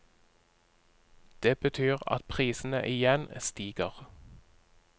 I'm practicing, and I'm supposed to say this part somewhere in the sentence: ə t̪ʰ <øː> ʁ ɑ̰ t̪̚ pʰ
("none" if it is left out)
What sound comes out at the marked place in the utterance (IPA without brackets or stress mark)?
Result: yː